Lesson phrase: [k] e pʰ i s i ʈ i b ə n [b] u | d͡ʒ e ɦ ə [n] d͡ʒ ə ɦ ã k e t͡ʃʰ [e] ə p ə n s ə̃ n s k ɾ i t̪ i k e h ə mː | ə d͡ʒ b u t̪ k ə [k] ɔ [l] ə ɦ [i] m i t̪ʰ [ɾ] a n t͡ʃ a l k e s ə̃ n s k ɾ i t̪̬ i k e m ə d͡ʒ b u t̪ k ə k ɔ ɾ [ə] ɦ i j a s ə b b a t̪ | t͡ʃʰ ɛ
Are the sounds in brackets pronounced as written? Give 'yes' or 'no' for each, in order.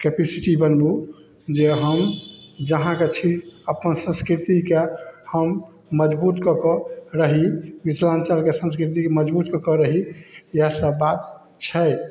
yes, yes, no, no, yes, no, yes, no, yes

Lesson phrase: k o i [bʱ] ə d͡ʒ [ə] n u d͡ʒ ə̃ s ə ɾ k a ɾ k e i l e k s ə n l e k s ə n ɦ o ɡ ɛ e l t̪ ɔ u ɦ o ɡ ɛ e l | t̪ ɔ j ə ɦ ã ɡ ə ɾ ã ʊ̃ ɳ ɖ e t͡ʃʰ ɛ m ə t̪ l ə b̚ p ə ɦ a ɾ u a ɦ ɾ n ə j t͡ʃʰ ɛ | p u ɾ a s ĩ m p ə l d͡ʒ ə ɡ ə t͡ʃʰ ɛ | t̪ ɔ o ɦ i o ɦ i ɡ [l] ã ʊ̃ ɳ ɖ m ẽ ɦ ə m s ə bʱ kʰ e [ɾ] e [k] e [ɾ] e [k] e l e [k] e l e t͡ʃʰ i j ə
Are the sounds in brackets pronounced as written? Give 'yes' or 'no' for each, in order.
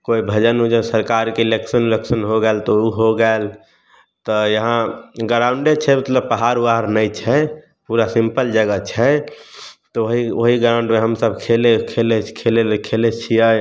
yes, yes, no, no, no, no, no, no

